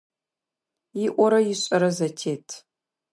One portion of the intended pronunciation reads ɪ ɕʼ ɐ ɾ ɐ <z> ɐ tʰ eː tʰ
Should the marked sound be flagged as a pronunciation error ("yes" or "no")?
no